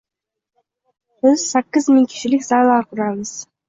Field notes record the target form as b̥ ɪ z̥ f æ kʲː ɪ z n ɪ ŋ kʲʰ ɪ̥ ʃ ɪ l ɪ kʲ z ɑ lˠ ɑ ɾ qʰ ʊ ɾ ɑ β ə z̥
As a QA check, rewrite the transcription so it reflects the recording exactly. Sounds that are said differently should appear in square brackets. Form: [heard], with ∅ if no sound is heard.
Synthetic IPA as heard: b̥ ɪ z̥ [s] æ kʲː ɪ z [m] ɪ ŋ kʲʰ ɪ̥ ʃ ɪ l ɪ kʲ z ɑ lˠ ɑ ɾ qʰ ʊ ɾ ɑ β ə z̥